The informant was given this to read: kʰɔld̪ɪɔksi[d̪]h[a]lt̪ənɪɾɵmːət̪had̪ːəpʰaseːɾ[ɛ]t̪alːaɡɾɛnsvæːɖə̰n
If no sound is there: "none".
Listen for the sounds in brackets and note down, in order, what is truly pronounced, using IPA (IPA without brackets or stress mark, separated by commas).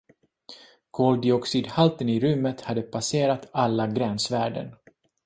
d̪, a, a